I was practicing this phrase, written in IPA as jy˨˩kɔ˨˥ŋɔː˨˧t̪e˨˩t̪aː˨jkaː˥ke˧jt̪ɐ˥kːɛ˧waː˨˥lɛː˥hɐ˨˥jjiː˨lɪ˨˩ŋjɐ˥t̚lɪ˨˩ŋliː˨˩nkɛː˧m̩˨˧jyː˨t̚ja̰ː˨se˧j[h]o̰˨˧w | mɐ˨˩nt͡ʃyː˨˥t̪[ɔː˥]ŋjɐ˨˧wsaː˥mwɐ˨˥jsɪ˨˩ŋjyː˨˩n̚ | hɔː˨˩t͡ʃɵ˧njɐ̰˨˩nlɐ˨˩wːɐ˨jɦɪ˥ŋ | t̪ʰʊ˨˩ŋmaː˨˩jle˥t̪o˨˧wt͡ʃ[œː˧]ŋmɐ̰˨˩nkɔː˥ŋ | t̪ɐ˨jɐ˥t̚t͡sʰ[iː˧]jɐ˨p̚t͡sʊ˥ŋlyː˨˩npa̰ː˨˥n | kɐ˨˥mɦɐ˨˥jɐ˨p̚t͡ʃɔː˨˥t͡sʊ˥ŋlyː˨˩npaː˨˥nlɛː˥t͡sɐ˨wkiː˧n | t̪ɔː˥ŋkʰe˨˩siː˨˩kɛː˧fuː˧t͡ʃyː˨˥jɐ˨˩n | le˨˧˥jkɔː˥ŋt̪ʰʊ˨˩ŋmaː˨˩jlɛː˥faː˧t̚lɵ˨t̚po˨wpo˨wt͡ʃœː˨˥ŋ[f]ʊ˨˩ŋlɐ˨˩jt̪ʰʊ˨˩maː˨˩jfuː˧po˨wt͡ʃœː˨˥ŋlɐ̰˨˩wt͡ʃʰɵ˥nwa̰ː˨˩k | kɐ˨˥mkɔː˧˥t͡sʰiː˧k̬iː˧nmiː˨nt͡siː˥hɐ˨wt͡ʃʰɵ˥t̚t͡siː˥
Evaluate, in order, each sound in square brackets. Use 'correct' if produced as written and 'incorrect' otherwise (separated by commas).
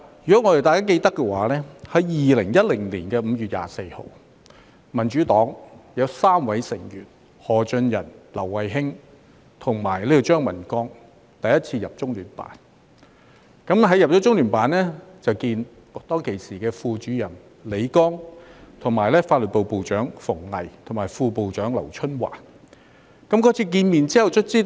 correct, incorrect, incorrect, correct, correct